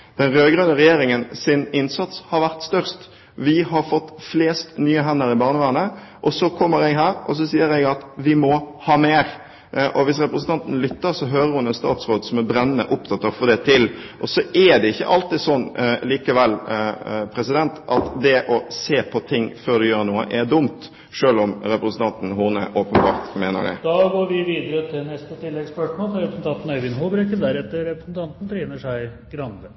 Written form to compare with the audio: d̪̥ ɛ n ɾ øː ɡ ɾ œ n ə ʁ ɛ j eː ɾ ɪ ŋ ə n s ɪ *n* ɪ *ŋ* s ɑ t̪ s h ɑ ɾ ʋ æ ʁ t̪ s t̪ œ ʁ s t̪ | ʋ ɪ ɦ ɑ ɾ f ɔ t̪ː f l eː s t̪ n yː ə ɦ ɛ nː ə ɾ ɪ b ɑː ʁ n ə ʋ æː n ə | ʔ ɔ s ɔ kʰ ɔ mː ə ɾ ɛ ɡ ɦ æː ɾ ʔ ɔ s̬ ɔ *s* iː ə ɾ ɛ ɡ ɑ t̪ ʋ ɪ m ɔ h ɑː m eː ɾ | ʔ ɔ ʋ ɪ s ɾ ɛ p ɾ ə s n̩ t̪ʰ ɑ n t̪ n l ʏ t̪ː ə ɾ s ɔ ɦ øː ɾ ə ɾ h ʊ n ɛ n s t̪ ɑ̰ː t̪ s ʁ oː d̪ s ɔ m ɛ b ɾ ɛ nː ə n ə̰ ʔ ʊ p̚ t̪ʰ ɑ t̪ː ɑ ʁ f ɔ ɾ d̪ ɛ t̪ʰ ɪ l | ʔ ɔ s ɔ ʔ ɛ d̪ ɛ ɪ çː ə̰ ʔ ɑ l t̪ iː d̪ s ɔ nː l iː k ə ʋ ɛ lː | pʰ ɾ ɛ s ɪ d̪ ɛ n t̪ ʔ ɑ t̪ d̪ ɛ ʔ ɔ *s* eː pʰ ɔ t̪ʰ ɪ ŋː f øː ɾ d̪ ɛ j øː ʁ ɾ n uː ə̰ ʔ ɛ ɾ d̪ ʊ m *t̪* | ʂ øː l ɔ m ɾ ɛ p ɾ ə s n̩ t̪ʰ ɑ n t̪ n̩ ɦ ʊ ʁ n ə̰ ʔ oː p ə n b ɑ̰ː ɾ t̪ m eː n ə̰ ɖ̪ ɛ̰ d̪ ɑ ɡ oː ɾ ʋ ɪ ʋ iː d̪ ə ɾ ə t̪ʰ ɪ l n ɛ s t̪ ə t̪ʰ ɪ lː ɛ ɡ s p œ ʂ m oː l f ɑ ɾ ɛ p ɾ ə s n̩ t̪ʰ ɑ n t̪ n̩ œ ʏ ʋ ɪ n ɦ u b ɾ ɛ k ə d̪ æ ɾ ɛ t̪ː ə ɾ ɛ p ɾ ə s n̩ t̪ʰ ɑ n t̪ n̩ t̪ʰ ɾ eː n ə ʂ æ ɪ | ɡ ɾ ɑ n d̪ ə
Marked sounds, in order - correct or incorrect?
correct, incorrect: n, correct, correct, correct

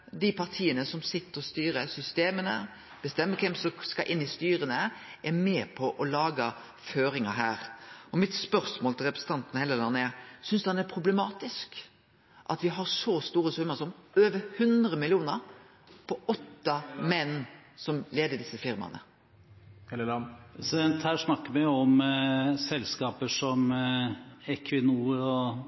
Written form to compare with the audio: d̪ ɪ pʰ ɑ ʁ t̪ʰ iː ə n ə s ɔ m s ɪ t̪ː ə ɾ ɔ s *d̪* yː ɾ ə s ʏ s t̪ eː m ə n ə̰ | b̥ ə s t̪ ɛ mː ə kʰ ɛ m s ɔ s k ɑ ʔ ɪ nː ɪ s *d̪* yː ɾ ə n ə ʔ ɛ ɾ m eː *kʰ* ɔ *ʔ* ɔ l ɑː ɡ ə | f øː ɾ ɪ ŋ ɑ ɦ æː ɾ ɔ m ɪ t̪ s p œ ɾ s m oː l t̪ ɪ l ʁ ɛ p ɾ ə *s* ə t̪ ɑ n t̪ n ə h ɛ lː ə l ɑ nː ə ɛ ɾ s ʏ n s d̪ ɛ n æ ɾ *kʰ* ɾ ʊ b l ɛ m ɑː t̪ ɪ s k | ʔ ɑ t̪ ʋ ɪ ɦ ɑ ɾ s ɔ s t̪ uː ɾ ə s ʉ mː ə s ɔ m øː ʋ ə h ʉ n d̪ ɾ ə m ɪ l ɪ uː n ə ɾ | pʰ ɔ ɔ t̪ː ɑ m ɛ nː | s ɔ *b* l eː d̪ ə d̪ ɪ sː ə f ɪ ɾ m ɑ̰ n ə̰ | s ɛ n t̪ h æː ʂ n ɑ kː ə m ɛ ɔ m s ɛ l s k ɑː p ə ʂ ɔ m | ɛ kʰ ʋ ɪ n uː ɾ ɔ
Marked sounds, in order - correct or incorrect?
incorrect: t̪, incorrect: t̪, incorrect: pʰ, correct, correct, incorrect: pʰ, incorrect: m

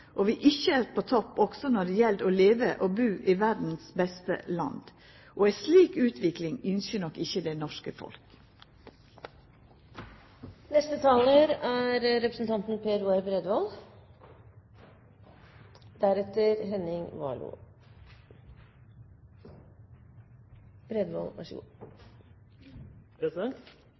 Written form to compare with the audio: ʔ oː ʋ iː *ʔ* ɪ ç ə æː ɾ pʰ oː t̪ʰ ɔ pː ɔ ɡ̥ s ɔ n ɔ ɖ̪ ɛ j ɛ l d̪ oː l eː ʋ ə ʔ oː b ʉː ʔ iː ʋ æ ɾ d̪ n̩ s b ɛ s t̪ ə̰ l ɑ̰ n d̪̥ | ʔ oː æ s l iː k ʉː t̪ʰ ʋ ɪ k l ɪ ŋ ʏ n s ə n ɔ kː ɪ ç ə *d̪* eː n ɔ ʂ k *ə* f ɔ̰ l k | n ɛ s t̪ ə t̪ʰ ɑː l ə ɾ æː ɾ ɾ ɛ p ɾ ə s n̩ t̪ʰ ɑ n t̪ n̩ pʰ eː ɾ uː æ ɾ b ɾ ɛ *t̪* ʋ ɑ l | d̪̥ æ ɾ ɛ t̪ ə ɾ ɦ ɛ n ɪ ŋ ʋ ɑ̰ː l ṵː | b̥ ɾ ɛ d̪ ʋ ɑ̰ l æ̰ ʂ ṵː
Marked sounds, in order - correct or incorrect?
correct, correct, correct, incorrect: d̪

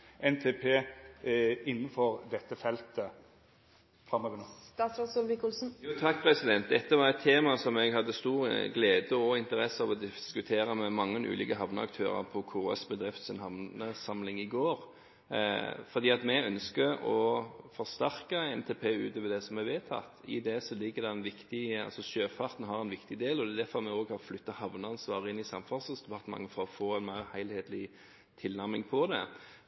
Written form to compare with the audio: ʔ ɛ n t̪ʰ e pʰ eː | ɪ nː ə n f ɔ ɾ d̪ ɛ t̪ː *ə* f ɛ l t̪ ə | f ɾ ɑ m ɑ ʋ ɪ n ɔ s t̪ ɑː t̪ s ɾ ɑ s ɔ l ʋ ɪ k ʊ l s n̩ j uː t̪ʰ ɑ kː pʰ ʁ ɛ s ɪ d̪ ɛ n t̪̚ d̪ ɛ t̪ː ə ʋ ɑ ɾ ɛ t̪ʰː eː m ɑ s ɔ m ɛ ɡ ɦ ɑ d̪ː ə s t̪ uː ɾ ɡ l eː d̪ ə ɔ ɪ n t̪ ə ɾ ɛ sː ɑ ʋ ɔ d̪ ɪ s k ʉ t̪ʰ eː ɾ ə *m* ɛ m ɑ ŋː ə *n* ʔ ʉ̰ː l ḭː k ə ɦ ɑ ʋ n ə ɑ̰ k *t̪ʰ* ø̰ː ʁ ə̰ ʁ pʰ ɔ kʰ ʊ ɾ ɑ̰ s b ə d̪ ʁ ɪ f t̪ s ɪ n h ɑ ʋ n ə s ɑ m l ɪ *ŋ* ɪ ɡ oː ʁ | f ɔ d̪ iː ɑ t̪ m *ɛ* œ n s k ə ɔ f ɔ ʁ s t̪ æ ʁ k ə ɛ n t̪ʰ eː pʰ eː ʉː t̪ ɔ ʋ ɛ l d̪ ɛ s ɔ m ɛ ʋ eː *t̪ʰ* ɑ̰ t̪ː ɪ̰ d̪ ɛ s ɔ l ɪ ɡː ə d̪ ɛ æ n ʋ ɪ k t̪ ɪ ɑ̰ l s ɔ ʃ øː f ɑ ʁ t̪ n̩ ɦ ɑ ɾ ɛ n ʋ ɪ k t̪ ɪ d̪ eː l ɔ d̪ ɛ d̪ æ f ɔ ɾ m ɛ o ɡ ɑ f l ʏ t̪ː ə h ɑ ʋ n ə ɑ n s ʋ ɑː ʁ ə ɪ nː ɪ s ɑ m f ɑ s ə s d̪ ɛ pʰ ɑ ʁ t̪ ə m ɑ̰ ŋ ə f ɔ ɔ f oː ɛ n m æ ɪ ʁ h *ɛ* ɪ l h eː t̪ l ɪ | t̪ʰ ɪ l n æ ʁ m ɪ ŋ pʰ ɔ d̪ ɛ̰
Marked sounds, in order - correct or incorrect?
correct, correct, correct, correct, correct, correct, correct, incorrect: æ

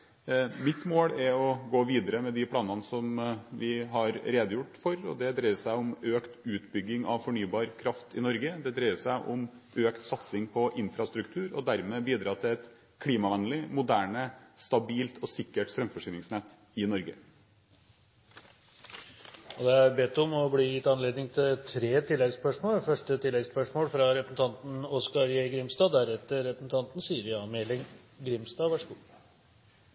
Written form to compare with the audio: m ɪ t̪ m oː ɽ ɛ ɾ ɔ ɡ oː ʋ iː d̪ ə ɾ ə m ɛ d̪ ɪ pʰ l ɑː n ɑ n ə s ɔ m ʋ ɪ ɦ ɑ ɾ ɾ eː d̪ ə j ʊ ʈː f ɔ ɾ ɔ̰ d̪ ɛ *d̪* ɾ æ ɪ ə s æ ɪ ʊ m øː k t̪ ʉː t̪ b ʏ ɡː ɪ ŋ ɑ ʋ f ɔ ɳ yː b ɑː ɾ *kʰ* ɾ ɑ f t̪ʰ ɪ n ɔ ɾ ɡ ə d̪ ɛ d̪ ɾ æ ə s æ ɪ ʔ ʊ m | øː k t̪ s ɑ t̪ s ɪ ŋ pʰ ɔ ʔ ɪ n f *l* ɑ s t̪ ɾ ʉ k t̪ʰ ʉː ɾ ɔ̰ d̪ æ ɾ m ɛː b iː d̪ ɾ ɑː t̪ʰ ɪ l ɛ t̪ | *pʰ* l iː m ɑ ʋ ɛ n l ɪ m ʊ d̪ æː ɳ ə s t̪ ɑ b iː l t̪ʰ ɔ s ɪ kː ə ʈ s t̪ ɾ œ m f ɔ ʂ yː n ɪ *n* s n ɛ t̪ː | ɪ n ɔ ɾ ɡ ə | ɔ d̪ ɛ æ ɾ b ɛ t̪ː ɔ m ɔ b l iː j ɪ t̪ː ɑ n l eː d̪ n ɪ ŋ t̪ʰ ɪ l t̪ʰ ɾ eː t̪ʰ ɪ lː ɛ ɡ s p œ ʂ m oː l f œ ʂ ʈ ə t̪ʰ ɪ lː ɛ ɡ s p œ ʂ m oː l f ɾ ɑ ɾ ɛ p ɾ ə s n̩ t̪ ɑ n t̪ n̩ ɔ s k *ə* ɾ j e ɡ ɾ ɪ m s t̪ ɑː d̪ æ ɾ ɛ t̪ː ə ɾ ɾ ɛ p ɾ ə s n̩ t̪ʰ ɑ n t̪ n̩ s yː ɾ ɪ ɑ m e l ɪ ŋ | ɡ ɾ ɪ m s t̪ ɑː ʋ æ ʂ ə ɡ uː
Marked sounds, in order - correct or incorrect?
correct, correct, incorrect: ɾ, incorrect: kʰ, incorrect: ŋ, incorrect: ɑ

